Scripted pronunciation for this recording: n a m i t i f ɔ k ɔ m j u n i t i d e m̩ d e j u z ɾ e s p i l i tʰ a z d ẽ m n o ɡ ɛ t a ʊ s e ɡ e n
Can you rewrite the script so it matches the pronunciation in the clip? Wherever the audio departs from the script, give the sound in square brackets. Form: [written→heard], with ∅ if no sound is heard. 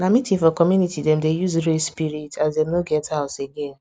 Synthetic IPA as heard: n a m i t i f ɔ k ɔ m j u n i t i d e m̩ d e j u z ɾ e s p i [l→ɾ] i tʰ a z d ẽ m n o ɡ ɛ t a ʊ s e ɡ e n